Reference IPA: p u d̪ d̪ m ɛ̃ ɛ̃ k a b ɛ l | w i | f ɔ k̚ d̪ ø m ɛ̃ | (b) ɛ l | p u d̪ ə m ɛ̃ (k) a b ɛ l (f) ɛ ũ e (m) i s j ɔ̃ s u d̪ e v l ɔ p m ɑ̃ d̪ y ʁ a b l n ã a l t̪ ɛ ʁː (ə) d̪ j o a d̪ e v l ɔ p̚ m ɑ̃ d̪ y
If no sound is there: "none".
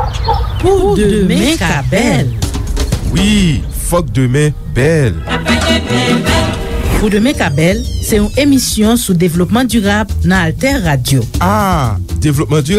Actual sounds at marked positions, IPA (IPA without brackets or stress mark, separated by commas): b, k, s, m, a